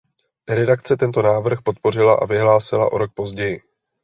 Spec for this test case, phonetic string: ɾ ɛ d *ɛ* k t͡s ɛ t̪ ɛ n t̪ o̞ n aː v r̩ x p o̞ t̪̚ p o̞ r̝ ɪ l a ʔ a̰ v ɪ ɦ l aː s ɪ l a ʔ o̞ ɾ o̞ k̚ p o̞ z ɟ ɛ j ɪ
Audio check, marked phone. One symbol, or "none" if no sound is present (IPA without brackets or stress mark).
a